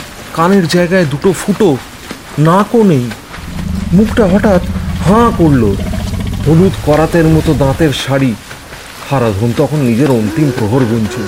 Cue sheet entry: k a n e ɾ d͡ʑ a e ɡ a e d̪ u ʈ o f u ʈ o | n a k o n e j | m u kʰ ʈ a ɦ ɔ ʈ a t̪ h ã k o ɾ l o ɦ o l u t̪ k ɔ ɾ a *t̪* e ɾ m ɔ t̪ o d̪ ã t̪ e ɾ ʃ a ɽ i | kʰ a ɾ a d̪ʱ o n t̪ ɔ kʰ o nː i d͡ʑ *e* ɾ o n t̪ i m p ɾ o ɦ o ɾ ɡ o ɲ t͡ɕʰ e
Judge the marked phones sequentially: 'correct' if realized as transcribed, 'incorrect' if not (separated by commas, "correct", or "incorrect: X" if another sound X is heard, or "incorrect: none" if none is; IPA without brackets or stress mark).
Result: correct, correct